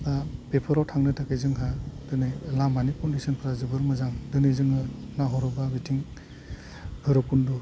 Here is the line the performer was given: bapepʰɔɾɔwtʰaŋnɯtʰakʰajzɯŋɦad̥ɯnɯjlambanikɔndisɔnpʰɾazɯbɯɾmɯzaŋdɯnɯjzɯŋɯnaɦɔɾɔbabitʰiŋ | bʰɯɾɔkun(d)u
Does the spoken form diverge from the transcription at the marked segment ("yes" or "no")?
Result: no